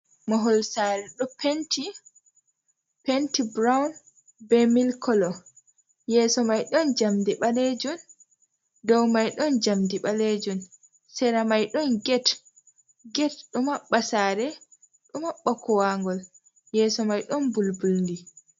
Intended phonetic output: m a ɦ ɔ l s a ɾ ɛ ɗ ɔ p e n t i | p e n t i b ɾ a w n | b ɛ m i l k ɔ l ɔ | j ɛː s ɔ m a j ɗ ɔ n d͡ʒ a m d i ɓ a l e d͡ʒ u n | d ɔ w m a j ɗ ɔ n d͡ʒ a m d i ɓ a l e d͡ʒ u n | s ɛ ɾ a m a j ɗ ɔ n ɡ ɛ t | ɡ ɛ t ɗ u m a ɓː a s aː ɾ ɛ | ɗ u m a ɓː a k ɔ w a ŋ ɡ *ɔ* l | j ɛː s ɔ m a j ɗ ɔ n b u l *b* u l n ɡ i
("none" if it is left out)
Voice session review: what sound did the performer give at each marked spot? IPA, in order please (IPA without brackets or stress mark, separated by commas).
ɔ, b